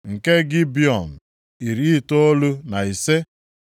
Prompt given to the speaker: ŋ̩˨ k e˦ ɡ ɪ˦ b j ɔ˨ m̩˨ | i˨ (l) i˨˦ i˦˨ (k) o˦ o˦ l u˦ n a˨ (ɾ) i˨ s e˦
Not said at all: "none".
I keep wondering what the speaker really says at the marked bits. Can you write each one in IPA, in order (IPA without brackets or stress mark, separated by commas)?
ɾ, t, none